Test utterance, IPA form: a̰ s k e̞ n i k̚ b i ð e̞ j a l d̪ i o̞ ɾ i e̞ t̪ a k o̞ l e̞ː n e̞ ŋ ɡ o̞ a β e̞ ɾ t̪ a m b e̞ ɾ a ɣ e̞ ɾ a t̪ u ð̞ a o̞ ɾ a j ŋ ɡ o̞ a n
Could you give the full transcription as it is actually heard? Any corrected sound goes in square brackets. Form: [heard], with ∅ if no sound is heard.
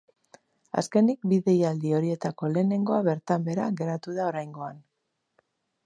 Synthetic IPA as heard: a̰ s k e̞ n i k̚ b i ð e̞ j a l d̪ i o̞ ɾ i e̞ t̪ a k o̞ l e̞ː n e̞ ŋ ɡ o̞ a β e̞ ɾ t̪ a m b e̞ ɾ a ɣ e̞ ɾ a t̪ u ð̞ a o̞ ɾ a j ŋ ɡ o̞ a n